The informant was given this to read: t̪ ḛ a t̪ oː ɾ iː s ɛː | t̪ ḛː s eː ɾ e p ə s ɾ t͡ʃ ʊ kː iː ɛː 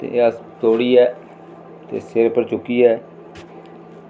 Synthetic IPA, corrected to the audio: t̪ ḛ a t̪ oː ɽ iː ɛː | t̪ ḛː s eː ɾ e p ə ɾ t͡ʃ ʊ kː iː ɛː